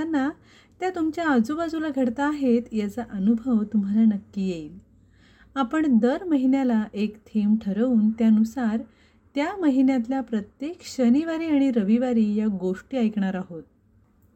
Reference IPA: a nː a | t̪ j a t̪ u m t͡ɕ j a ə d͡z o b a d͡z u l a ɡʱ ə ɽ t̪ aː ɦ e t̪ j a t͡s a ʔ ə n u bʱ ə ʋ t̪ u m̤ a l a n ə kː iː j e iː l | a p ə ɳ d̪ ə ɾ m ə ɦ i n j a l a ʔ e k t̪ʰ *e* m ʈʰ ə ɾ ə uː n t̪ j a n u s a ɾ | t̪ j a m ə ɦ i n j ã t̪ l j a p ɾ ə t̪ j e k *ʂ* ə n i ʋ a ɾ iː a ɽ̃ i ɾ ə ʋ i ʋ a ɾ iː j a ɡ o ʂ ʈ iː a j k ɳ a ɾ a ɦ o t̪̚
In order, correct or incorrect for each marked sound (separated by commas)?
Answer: correct, incorrect